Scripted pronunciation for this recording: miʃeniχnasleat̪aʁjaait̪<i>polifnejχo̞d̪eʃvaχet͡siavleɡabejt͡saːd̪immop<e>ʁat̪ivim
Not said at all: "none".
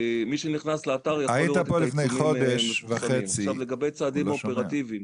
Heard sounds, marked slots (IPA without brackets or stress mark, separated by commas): a, e